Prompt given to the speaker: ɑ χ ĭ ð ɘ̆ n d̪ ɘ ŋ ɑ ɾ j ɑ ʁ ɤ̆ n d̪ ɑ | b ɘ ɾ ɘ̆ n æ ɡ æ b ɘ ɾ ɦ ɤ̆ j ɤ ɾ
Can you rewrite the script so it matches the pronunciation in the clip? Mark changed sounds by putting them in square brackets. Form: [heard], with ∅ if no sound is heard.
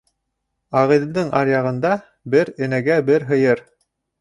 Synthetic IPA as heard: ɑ [ʁ] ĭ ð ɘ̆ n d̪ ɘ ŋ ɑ ɾ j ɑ ʁ ɤ̆ n d̪ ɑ | b ɘ ɾ ɘ̆ n æ ɡ æ b ɘ ɾ ɦ ɤ̆ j ɤ ɾ